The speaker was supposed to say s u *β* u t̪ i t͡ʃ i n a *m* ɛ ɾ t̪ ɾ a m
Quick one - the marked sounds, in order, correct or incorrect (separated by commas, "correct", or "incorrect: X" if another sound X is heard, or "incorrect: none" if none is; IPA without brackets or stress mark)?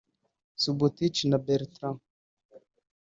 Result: incorrect: b, incorrect: b